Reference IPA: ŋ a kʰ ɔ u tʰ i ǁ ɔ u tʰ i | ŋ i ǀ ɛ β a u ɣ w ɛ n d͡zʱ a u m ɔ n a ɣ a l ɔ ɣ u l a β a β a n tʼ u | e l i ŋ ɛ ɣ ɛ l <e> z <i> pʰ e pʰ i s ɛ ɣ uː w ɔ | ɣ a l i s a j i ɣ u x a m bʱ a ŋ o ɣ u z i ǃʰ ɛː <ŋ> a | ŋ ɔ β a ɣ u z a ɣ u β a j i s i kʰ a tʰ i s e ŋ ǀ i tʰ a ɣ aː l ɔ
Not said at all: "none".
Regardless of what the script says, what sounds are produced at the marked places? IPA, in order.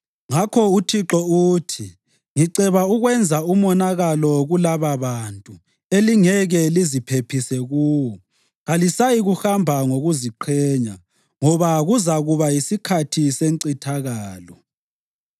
i, i, ɲ

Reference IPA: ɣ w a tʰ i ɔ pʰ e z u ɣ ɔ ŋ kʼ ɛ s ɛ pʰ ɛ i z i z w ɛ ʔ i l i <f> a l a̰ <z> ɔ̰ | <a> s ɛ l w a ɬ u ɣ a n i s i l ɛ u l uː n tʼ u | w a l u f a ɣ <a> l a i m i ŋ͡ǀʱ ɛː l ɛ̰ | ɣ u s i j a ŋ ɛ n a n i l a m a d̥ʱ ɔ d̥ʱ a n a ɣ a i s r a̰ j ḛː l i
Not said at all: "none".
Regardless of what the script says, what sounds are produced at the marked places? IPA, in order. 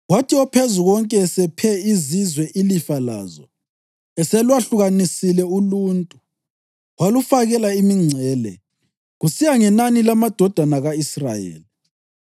f, z, ɛ, ɛ

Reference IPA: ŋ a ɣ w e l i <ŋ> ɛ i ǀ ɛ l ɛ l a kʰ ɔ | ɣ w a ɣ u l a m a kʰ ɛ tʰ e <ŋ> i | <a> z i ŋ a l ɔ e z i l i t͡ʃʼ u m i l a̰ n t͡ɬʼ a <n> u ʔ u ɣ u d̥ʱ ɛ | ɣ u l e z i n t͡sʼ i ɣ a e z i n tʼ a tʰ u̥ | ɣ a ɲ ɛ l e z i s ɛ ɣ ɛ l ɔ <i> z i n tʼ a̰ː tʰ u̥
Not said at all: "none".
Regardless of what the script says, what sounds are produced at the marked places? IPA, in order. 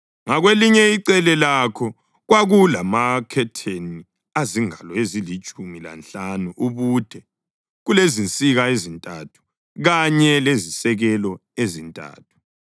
ɲ, n, a, n, e

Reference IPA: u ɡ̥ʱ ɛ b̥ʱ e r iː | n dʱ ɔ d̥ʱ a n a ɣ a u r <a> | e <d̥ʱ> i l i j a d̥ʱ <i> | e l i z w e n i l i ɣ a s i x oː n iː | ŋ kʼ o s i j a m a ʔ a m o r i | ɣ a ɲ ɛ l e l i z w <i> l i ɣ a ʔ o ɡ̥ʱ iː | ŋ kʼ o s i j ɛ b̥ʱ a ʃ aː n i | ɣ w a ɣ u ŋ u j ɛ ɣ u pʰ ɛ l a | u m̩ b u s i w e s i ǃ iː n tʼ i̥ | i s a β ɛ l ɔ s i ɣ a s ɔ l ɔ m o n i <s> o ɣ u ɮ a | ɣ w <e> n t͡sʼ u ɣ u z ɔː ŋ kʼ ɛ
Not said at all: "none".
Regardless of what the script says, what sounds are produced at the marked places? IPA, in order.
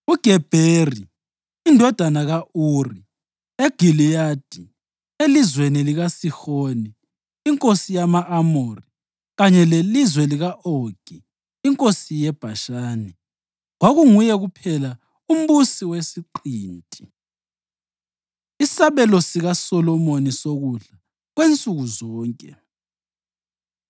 i, ɡ̥ʱ, i, ɛ, s, e

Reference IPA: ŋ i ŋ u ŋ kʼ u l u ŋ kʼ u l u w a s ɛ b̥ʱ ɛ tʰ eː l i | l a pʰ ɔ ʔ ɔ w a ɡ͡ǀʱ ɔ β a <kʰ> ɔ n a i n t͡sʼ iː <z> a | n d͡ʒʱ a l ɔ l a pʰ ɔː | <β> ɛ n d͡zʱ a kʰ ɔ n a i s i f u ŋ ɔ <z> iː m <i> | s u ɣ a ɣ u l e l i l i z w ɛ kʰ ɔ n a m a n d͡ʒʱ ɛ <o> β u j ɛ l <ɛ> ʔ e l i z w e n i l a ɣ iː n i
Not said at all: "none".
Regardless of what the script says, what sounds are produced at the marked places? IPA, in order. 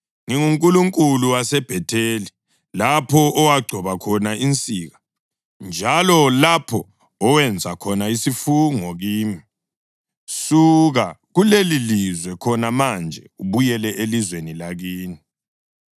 kʰ, ɣ, w, ɣ, i, u, ɛ

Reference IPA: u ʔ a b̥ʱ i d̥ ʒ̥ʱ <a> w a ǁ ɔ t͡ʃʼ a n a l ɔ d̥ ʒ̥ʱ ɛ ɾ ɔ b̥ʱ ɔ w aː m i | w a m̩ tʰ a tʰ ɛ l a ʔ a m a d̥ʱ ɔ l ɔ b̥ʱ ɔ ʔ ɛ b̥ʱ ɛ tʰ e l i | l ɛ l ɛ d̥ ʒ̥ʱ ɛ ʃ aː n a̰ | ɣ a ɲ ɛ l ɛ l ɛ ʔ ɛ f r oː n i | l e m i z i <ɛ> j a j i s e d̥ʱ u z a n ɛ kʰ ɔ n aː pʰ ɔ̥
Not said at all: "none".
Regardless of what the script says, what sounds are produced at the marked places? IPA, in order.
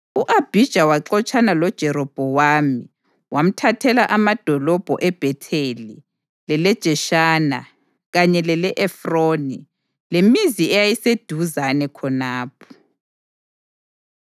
a, ɛ

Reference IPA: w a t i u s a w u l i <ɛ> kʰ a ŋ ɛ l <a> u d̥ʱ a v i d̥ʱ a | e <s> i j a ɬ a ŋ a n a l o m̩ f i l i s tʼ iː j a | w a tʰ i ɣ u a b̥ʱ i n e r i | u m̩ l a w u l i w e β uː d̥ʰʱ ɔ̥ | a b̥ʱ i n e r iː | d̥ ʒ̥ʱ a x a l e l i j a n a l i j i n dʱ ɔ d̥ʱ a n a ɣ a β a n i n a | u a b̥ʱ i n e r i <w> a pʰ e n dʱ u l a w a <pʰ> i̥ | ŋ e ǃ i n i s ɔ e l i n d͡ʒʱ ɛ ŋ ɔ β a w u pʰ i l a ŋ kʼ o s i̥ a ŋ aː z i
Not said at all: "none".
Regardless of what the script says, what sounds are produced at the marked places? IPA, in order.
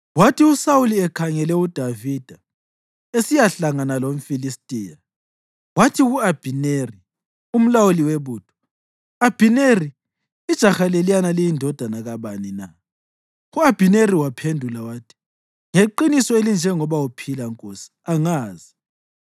ɛ, ɛ, s, w, tʰ

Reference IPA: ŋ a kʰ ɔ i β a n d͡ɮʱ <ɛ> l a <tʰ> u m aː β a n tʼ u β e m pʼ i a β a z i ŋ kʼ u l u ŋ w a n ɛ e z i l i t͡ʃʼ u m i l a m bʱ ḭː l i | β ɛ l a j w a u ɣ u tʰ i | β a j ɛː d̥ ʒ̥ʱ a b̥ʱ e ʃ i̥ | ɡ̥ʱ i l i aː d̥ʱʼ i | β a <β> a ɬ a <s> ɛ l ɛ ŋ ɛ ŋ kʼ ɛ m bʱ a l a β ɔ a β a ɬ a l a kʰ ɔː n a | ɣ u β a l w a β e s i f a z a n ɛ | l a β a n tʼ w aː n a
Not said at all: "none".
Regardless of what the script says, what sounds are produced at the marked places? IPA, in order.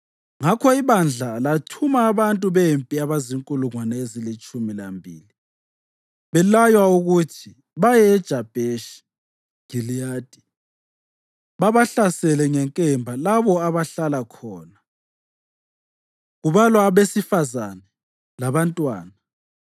a, tʰ, β, s

